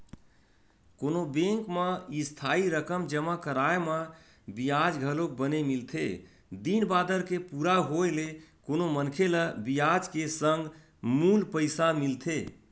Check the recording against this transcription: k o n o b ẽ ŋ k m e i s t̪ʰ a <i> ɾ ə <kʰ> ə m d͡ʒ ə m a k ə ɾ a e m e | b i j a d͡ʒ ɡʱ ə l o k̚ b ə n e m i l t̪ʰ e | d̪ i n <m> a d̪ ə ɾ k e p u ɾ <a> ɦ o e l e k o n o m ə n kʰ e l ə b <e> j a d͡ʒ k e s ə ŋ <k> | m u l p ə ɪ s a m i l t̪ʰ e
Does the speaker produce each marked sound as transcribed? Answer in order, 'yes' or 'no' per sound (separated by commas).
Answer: yes, no, no, yes, no, no